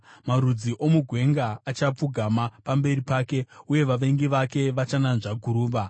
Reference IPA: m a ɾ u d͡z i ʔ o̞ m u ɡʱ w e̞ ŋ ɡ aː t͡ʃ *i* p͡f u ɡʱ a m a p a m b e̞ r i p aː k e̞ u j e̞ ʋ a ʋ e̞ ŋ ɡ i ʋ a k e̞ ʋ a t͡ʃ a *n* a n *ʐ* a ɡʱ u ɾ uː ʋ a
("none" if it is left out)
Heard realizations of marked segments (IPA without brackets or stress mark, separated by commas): a, n, ʐ